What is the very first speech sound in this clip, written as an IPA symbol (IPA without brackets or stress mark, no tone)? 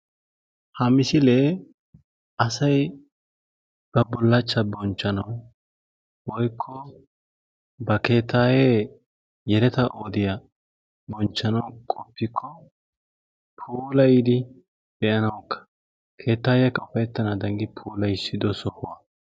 h